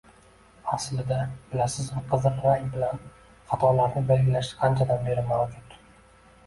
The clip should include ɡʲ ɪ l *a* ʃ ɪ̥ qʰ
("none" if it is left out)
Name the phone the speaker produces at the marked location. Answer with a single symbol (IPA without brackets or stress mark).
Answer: a